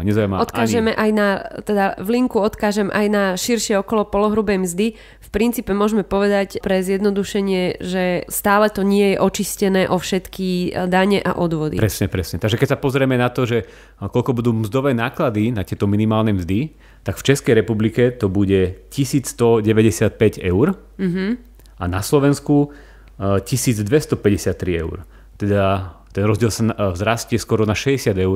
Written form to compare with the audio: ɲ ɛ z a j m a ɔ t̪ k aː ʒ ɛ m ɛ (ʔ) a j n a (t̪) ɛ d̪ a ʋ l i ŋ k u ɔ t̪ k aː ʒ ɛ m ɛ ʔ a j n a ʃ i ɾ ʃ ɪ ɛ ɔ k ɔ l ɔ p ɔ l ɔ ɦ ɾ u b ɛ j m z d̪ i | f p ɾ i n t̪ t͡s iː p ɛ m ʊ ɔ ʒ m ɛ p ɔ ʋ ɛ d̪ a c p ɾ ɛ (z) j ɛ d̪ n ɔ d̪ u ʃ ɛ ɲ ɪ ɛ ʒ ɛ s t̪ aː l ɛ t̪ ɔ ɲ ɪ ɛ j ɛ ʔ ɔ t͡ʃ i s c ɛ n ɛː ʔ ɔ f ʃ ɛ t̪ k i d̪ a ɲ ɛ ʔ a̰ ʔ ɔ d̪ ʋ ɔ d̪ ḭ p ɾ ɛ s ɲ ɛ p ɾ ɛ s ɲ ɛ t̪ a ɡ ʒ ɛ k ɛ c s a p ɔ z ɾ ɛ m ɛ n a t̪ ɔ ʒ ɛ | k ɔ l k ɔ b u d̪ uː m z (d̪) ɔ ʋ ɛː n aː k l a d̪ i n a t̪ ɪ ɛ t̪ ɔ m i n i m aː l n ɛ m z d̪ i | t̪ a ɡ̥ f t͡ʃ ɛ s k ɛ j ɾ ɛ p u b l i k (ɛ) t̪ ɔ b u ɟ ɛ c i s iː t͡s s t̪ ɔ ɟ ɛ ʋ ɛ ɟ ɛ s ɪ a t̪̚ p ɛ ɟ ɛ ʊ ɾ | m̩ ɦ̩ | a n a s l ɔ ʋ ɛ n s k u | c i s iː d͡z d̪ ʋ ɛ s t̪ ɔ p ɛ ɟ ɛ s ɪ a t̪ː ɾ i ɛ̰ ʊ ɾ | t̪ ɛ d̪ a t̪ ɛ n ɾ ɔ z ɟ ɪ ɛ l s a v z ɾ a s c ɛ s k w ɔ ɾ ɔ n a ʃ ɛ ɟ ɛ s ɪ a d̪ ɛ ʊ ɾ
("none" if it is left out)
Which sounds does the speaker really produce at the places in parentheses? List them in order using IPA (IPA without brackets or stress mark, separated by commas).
ʔ, t̪, z, d̪, ɛ